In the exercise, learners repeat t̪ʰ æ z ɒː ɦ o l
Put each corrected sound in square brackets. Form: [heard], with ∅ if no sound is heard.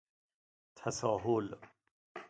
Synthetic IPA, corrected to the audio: t̪ʰ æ [s] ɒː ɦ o l

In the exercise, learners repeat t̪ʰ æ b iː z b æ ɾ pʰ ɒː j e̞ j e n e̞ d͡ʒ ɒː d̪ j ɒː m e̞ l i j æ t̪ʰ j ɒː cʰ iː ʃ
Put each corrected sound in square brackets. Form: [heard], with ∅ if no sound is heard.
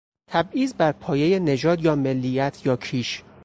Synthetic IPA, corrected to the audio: t̪ʰ æ b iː z b æ ɾ pʰ ɒː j e̞ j e n e̞ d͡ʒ ɒː d̪ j ɒː m e̞ [lː] i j æ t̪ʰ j ɒː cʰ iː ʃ

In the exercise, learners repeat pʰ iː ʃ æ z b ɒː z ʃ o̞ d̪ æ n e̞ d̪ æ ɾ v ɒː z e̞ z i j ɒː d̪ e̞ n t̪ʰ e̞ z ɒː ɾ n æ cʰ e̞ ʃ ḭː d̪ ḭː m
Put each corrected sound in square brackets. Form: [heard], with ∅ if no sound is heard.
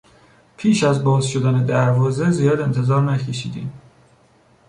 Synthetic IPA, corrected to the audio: pʰ iː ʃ æ z b ɒː z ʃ o̞ d̪ æ n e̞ d̪ æ ɾ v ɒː z e̞ z i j ɒː d̪ e̞ n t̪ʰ e̞ z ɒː ɾ n æ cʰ e̞ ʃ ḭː d̪ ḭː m

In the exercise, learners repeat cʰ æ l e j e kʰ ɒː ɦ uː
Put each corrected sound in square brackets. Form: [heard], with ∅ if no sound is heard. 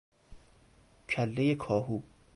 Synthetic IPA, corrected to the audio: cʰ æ [lː] e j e kʰ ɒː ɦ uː

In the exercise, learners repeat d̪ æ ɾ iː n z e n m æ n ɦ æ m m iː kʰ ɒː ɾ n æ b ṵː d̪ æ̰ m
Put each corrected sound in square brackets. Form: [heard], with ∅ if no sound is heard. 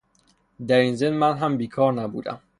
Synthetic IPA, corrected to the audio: d̪ æ ɾ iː n z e n m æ n ɦ æ m [b] iː kʰ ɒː ɾ n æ b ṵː d̪ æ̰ m

